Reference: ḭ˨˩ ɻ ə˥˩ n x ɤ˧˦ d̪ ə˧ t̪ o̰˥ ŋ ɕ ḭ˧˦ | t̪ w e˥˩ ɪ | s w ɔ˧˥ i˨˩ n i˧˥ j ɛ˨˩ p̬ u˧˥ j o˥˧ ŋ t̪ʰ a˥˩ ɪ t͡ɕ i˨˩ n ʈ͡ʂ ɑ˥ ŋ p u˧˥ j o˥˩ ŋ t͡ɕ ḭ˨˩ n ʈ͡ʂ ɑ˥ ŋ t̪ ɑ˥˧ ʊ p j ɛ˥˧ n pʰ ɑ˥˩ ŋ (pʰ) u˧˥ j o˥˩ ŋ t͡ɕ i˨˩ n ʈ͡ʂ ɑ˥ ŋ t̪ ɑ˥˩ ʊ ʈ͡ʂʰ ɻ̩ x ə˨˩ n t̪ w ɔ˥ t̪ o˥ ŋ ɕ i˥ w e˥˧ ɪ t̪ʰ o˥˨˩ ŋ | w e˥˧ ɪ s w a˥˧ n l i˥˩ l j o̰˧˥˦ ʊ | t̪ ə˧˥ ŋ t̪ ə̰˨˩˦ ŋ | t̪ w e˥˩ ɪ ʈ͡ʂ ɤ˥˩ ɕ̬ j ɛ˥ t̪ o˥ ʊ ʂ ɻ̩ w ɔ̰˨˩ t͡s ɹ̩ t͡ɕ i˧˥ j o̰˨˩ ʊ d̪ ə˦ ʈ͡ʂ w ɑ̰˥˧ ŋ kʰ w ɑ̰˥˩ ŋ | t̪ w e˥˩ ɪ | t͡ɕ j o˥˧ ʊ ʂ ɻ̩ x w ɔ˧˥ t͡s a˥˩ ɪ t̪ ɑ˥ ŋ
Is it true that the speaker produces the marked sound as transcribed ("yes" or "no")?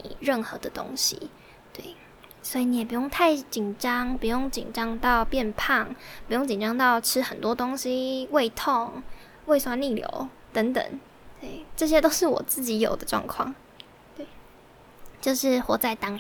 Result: no